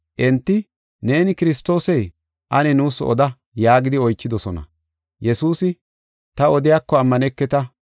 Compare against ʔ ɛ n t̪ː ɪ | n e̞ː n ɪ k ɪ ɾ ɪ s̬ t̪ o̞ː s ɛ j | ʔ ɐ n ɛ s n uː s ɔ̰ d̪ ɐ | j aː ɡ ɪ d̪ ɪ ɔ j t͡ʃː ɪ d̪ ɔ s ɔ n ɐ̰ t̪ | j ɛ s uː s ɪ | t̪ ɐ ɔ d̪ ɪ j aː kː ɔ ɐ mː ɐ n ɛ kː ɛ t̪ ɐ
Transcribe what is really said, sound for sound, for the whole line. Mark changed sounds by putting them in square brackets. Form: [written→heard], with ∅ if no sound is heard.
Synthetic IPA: ʔ ɛ n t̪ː ɪ | n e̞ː n ɪ k ɪ ɾ ɪ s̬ t̪ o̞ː s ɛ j | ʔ ɐ n ɛ [s→∅] n uː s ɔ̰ d̪ ɐ | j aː ɡ ɪ d̪ ɪ ɔ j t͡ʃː ɪ d̪ ɔ s ɔ n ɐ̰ [t̪→∅] | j ɛ s uː s ɪ | t̪ ɐ ɔ d̪ ɪ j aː kː ɔ ɐ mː ɐ n ɛ kː ɛ t̪ ɐ